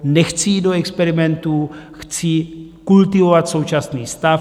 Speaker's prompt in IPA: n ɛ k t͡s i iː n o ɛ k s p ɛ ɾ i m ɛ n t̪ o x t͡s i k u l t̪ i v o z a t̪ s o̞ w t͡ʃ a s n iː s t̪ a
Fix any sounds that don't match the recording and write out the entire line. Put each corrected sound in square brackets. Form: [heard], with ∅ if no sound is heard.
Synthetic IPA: n ɛ [x] t͡s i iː [d] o ɛ k s p ɛ ɾ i m ɛ n t̪ [u] x t͡s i k u l t̪ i v o [v] a t̪ s o̞ w t͡ʃ a s n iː s t̪ a